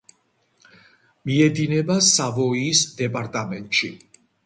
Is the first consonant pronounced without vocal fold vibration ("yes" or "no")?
no